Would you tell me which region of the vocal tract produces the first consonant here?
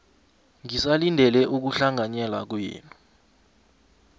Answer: velum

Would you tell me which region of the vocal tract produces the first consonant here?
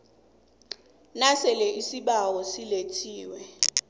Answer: tongue tip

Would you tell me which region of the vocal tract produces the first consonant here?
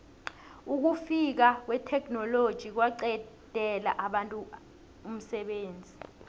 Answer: velum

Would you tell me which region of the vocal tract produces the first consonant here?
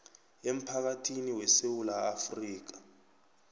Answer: lips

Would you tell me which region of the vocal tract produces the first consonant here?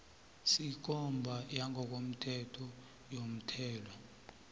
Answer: tongue tip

